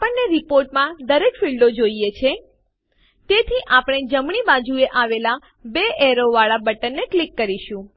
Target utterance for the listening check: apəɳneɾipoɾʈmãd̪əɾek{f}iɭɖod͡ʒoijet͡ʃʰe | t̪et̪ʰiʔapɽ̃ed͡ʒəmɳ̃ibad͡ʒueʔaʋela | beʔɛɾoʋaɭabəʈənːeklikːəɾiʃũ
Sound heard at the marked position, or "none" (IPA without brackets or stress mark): f